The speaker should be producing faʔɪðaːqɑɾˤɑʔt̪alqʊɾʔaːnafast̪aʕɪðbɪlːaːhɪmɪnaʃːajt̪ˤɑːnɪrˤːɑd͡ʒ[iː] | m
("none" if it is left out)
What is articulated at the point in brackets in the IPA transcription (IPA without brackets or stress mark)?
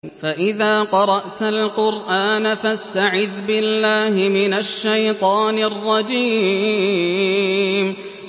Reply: iː